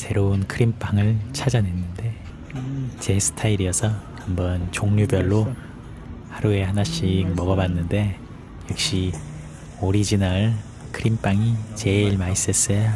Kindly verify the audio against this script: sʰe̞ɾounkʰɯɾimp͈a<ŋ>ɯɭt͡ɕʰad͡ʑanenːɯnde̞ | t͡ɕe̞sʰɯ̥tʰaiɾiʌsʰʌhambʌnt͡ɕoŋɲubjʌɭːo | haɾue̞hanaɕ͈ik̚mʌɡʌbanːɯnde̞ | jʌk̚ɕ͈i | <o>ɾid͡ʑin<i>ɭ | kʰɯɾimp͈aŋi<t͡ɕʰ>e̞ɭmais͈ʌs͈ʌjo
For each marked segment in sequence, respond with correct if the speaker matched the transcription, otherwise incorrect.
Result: correct, correct, incorrect: a, incorrect: t͡ɕ

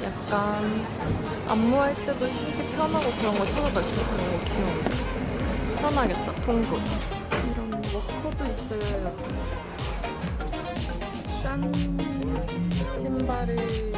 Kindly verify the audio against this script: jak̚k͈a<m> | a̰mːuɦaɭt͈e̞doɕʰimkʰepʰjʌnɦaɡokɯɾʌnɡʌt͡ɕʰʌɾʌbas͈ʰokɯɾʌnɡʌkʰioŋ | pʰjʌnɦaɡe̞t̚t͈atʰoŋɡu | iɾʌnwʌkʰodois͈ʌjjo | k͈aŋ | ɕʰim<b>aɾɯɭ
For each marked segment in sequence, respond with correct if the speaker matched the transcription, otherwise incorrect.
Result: incorrect: n, correct

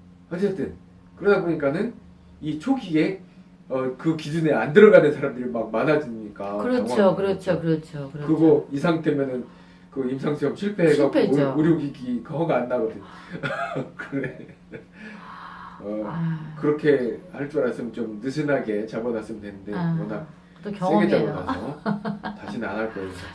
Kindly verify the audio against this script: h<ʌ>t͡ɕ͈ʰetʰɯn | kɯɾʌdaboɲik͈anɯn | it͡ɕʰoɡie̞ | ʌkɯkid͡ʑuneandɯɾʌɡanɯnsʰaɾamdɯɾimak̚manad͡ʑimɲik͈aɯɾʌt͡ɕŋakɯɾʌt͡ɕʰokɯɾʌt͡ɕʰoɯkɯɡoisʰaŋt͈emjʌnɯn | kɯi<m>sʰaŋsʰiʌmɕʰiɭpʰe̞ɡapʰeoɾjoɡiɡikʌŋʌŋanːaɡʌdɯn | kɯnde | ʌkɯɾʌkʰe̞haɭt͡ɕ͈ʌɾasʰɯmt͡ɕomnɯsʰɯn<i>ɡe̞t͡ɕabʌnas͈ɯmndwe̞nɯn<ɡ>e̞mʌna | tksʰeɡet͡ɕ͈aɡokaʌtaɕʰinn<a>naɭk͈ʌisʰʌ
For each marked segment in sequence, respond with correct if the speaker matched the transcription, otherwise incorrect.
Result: correct, correct, incorrect: a, incorrect: d, correct

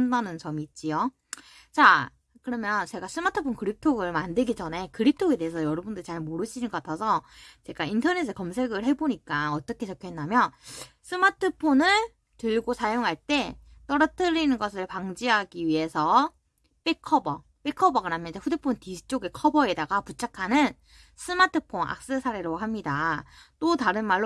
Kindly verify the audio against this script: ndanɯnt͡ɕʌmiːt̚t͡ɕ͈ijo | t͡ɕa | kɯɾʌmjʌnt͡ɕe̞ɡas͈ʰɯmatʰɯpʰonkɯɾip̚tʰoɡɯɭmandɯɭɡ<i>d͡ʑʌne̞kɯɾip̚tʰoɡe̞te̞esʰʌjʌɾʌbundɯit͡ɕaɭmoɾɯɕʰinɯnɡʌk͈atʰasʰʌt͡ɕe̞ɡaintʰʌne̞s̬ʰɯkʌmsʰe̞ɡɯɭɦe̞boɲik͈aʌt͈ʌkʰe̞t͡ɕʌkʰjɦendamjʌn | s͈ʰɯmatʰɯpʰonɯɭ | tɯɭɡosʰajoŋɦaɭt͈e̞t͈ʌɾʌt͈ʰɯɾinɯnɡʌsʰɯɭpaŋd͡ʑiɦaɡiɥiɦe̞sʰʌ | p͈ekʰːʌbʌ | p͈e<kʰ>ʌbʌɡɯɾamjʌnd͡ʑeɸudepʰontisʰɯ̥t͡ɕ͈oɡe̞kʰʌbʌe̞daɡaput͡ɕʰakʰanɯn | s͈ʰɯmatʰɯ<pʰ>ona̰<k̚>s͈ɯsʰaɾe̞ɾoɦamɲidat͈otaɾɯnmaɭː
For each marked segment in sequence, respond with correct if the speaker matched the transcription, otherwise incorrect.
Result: correct, correct, correct, correct

